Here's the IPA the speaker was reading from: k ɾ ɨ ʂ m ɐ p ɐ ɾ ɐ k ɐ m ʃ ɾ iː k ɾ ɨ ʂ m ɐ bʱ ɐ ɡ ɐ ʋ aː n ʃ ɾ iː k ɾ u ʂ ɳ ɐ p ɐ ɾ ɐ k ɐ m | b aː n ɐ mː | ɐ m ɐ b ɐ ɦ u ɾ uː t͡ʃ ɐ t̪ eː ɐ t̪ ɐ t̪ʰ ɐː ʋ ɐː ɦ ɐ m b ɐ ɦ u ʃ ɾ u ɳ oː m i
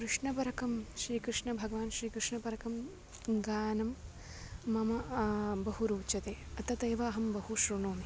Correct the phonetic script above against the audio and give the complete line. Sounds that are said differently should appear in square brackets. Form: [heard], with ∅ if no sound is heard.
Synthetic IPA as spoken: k ɾ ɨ ʂ [ɳ] ɐ p ɐ ɾ ɐ k ɐ m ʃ ɾ iː k ɾ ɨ ʂ [ɳ] ɐ bʱ ɐ ɡ ɐ ʋ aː n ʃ ɾ iː k ɾ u ʂ ɳ ɐ p ɐ ɾ ɐ k ɐ m | [ɡ] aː n ɐ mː | ɐ m ɐ b ɐ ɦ u ɾ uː t͡ʃ ɐ t̪ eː ɐ t̪ ɐ [t̪] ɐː ʋ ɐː ɦ ɐ m b ɐ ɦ u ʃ ɾ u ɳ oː m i